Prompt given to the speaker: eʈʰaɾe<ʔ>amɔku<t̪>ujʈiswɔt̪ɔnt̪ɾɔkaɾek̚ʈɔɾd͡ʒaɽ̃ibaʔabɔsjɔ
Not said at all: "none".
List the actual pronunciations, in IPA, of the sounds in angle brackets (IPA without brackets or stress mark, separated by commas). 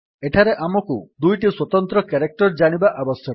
ʔ, d̪